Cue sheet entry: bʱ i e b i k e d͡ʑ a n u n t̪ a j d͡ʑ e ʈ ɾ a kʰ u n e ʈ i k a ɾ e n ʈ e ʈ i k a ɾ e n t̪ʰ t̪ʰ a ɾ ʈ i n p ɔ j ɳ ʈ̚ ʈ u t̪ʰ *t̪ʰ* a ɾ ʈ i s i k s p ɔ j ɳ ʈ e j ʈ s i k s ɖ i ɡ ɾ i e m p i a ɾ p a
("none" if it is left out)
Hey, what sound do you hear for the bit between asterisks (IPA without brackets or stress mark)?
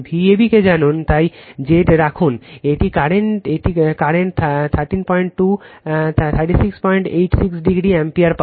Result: t̪ʰ